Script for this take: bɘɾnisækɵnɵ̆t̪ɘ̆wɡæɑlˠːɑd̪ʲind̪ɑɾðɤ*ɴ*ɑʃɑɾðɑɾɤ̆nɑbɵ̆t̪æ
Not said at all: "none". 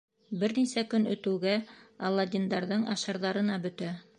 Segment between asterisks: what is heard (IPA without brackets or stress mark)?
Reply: ɴ